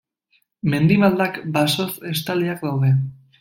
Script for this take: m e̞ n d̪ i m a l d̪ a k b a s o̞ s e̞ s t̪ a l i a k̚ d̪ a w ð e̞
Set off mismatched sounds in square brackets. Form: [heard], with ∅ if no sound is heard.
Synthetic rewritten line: m e̞ n d̪ i m a l d̪ a k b a s o̞ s e̞ s t̪ a l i a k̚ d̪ a w ð e̞